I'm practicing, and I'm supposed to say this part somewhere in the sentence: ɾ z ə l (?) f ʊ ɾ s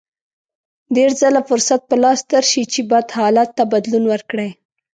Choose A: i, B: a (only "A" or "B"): B